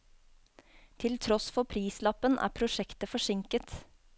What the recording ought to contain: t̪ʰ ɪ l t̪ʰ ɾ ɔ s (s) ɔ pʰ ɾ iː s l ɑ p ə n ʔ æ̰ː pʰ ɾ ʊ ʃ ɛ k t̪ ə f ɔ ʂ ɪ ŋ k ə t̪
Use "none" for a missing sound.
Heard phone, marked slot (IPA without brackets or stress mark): f